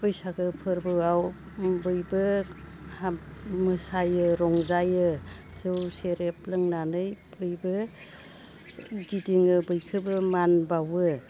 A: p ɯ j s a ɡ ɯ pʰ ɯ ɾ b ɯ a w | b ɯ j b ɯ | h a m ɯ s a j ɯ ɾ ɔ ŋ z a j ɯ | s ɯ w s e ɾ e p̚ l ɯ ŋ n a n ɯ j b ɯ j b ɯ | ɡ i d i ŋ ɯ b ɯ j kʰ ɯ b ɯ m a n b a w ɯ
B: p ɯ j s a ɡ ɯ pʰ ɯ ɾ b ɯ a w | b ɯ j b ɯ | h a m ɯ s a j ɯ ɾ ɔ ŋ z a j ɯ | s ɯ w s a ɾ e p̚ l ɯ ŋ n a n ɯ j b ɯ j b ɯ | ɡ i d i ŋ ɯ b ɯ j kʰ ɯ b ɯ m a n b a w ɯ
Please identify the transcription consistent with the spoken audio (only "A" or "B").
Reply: A